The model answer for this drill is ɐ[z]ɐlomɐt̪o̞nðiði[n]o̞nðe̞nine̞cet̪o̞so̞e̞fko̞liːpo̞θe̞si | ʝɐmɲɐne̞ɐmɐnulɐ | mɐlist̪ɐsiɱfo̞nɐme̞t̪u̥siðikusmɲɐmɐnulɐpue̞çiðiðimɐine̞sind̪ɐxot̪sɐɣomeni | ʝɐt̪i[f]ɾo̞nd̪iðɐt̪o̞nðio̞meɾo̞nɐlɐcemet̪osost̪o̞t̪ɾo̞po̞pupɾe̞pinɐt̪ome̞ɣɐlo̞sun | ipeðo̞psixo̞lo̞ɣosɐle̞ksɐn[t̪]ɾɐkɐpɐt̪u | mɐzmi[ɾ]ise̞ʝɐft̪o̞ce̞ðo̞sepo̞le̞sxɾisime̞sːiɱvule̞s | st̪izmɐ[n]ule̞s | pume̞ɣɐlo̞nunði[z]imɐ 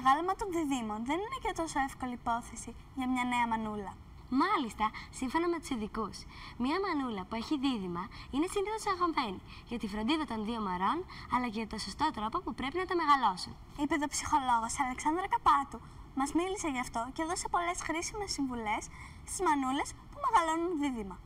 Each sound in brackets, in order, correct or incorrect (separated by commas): incorrect, incorrect, correct, incorrect, incorrect, correct, incorrect